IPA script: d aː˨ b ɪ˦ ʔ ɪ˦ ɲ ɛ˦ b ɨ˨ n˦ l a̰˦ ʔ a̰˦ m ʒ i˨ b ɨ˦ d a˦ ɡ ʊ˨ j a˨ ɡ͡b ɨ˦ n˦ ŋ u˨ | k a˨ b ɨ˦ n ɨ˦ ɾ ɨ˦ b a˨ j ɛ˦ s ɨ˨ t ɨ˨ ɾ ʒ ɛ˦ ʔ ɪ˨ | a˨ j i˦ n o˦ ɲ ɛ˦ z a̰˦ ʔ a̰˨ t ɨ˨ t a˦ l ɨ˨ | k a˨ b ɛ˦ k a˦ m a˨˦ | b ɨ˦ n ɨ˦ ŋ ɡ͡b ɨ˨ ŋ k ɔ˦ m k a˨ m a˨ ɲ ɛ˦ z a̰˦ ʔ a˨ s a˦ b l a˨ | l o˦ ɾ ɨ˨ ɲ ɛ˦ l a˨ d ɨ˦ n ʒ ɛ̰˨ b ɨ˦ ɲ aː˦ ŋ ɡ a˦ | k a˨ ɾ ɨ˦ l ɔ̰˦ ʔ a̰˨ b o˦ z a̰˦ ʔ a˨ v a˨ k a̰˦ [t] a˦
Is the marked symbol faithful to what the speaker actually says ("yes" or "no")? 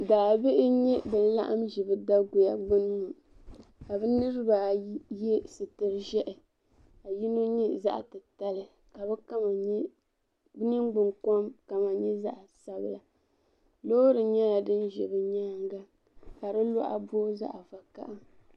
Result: no